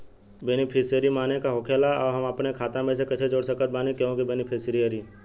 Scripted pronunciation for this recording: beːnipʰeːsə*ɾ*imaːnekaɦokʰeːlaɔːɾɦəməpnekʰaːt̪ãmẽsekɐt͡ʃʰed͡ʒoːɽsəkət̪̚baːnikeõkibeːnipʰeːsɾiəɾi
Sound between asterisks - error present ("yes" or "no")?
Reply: no